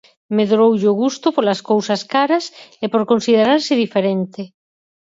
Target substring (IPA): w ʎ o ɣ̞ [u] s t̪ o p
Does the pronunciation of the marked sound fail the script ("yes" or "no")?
no